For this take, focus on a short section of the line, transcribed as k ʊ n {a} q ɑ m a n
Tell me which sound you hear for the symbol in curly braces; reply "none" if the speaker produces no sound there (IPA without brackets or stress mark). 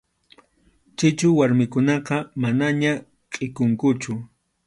ɑ